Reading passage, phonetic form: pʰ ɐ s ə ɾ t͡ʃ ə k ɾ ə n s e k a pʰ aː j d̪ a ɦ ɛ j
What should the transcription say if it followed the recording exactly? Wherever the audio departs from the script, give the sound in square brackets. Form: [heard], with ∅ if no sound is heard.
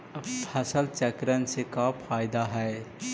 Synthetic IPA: pʰ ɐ s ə [l] t͡ʃ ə k ɾ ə n s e k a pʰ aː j d̪ a ɦ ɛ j